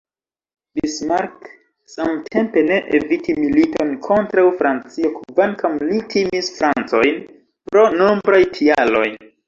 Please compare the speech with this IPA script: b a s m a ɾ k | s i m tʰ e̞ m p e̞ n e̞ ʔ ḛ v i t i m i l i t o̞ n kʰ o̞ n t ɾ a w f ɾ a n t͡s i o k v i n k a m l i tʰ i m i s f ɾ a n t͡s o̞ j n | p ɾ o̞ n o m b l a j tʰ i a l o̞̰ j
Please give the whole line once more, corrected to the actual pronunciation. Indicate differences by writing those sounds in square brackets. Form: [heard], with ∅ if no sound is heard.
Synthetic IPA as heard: b [i] s m a ɾ k | s [a] m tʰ e̞ m p e̞ n e̞ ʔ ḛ v i t i m i l i t o̞ n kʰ o̞ n t ɾ a w f ɾ a n t͡s i o k v [a] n k a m l i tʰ i m i s f ɾ a n t͡s o̞ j n | p ɾ o̞ n o m b [ɾ] a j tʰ i a l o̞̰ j